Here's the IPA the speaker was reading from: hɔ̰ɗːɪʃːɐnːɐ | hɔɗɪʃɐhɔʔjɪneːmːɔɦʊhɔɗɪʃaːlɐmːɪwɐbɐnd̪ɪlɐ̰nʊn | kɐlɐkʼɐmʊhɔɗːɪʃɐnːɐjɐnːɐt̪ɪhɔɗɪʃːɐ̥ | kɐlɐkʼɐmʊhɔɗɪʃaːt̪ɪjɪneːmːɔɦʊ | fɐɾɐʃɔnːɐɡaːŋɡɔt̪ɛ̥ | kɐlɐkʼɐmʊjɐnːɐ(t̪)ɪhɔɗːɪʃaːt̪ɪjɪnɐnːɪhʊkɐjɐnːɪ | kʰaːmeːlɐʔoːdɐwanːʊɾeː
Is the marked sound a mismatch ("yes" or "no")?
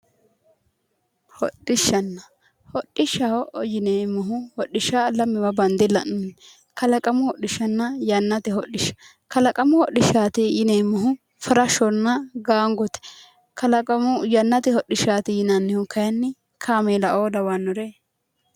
no